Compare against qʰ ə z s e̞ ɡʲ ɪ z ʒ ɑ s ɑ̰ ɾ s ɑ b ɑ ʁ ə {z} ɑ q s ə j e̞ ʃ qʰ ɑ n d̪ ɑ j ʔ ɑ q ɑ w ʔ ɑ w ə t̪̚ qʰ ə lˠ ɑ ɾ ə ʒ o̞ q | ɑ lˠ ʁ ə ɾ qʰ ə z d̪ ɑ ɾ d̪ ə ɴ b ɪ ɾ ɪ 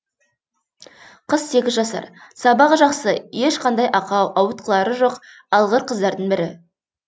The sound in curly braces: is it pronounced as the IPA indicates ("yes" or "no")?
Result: no